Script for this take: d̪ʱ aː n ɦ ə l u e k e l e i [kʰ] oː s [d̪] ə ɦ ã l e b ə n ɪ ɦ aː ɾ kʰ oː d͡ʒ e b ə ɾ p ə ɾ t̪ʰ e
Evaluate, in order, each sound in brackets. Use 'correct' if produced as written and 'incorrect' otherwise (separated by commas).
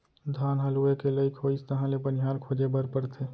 correct, incorrect